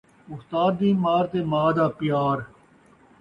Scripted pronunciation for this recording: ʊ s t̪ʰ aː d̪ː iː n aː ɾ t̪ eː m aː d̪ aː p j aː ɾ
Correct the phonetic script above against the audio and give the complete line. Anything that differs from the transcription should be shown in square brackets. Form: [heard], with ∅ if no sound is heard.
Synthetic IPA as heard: ʊ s [t̪] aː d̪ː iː [m] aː ɾ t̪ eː m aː d̪ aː p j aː ɾ